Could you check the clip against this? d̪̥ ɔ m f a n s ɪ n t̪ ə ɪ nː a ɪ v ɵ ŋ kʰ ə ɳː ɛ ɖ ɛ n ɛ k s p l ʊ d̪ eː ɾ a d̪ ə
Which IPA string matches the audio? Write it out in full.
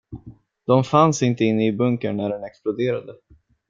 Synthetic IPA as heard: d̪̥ ɔ m f a n s ɪ n t̪ ə ɪ nː ə ɪ b ɵ ŋ k ə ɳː æ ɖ ɛ n ɛ k s p l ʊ d̪ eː ɾ a d̪ ə